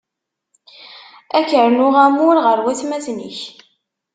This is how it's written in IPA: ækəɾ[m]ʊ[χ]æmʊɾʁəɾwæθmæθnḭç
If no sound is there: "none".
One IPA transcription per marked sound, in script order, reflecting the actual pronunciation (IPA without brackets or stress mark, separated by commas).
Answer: n, ʁ